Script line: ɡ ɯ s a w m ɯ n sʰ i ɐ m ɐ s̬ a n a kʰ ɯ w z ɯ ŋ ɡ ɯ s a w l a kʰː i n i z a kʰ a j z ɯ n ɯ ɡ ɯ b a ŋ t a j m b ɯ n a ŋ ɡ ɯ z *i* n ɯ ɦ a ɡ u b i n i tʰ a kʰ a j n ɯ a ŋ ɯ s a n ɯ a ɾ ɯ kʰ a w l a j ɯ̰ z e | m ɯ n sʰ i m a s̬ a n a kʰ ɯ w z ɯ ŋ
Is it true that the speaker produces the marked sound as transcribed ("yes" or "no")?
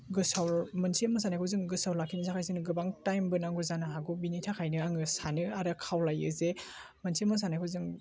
no